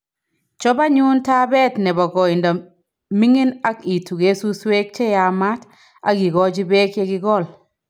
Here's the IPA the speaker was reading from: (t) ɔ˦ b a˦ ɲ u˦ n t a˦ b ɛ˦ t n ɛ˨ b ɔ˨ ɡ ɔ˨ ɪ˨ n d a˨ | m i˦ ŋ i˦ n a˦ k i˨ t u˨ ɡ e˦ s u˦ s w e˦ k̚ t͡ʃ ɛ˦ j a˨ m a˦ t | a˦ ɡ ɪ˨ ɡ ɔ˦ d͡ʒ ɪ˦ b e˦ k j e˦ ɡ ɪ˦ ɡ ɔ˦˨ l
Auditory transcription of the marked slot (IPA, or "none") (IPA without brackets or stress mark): t͡ʃ